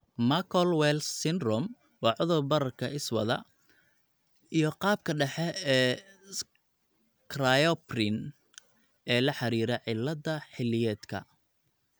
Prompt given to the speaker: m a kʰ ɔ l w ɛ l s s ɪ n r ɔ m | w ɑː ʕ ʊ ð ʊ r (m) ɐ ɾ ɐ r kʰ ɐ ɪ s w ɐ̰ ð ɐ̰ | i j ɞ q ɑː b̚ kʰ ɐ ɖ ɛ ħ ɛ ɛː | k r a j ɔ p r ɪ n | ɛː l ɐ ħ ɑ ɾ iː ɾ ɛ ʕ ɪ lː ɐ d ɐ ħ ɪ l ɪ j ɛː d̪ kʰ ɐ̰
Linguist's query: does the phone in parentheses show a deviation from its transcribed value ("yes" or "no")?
yes